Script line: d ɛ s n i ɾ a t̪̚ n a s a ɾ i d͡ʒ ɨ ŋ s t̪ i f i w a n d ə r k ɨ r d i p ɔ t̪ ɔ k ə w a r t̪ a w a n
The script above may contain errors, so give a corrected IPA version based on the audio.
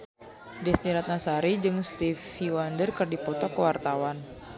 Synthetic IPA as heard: d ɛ s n i ɾ a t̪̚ n a s a ɾ i d͡ʒ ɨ ŋ s t̪ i f i w a n d ə r k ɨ r d i p ɔ t̪ ɔ k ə w a r t̪ a w a n